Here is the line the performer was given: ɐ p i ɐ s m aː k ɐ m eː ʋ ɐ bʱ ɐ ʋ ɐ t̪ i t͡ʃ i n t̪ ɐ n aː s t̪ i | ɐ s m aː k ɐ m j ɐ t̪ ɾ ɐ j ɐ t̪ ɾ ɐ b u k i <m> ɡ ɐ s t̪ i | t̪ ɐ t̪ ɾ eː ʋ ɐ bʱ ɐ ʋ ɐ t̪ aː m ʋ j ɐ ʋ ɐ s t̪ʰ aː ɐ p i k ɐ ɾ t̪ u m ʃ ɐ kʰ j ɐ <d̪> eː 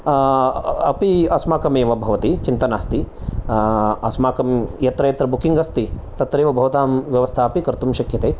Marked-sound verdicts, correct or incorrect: incorrect: ŋ, incorrect: t̪

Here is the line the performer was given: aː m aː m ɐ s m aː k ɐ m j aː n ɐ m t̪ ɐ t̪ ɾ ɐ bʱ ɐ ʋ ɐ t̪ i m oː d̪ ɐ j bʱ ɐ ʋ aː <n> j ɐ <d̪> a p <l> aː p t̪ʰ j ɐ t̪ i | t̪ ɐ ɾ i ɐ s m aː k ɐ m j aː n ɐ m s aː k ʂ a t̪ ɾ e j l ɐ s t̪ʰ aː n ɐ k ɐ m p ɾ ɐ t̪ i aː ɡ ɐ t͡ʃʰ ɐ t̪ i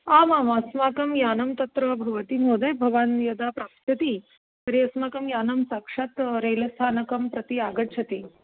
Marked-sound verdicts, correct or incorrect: correct, correct, incorrect: ɾ

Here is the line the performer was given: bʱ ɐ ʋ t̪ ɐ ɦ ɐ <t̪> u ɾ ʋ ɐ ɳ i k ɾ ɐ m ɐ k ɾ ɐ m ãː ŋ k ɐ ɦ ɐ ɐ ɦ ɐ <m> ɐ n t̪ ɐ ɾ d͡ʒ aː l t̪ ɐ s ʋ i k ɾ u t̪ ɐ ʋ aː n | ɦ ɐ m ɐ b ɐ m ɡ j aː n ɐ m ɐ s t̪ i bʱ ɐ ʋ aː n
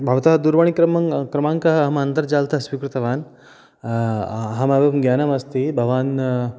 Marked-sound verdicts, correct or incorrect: incorrect: d̪, correct

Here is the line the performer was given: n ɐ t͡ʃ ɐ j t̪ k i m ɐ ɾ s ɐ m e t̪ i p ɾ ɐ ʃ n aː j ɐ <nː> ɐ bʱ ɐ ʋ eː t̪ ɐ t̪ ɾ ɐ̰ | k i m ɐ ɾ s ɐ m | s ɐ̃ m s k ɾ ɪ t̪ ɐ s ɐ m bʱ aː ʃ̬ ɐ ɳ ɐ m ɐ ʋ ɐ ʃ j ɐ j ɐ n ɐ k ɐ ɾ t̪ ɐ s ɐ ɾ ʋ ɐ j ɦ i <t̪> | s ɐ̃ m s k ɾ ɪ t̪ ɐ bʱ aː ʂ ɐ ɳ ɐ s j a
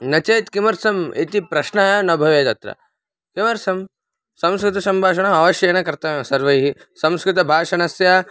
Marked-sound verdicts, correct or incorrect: incorrect: n, incorrect: none

